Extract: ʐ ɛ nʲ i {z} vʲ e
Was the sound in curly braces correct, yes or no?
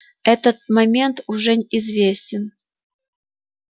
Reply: yes